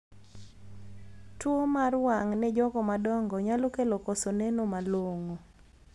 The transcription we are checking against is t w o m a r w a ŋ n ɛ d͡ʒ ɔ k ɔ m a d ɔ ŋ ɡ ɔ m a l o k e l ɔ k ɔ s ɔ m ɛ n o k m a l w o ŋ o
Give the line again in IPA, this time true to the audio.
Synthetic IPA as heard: t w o m a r w a ŋ n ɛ d͡ʒ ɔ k ɔ m a d ɔ ŋ ɡ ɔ ɲ a l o k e l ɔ k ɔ s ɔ n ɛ n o m a l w o ŋ o